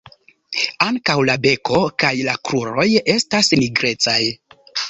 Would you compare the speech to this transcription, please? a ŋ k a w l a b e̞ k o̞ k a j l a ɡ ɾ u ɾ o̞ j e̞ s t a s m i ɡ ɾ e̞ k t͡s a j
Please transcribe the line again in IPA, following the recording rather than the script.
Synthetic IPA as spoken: a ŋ k a w l a b e̞ k o̞ k a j l a k ɾ u ɾ o̞ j e̞ s t a s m i ɡ ɾ e̞ t͡s a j